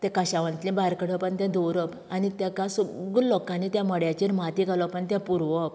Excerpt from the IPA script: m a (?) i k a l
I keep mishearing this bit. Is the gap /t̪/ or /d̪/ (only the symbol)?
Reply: t̪